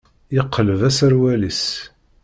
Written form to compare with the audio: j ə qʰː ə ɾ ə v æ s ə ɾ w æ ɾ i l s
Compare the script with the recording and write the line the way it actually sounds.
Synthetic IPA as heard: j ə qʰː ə l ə v æ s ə ɾ w æ l i s